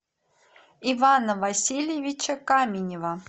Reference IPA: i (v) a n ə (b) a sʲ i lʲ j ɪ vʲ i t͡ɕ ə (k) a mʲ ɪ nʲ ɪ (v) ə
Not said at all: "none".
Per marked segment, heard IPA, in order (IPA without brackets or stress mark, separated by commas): v, v, k, v